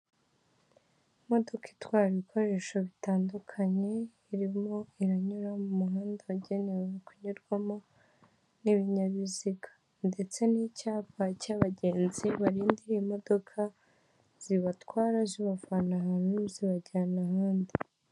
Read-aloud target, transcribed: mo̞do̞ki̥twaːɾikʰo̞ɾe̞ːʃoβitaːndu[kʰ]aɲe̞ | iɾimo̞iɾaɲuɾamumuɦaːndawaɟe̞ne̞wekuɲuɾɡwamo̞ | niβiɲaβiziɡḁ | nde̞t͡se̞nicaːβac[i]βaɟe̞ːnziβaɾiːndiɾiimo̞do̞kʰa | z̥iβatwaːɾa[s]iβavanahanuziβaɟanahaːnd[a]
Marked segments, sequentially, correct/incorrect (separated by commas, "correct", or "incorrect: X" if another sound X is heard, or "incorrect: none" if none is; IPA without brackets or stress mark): correct, incorrect: a, incorrect: z, incorrect: i